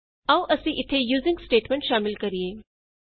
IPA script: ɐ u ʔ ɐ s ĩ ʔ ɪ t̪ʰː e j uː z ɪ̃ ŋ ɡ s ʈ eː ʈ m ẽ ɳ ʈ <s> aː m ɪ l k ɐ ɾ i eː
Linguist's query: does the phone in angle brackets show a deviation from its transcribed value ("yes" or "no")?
yes